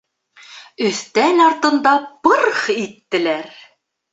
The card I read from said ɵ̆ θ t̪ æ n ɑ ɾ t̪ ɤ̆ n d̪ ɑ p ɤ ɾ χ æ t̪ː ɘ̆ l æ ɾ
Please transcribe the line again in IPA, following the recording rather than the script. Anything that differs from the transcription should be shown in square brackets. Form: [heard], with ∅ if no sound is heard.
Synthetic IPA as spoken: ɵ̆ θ t̪ æ n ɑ ɾ t̪ ɤ̆ n d̪ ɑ p ɤ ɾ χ [i] t̪ː ɘ̆ l æ ɾ

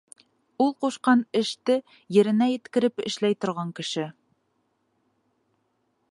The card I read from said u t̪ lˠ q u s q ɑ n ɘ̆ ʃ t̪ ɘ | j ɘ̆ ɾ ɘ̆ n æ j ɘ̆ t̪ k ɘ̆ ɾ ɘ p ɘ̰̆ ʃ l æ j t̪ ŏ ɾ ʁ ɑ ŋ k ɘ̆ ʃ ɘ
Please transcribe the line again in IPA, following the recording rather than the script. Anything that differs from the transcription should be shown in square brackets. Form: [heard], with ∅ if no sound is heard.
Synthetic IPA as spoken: u [∅] lˠ q u [ʃ] q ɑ n ɘ̆ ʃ t̪ ɘ | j ɘ̆ ɾ ɘ̆ n æ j ɘ̆ t̪ k ɘ̆ ɾ ɘ p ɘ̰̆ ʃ l æ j t̪ ŏ ɾ ʁ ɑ ŋ k ɘ̆ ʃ ɘ

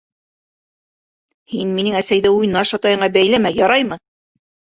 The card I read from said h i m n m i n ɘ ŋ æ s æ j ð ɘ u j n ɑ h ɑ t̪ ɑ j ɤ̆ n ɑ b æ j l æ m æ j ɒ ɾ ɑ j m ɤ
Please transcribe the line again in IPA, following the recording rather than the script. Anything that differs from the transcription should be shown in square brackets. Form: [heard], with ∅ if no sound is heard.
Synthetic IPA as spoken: h i [∅] n m i n ɘ ŋ æ s æ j ð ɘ u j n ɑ [ʃ] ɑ t̪ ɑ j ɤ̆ [ɴ] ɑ b æ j l æ m æ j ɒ ɾ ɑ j m ɤ

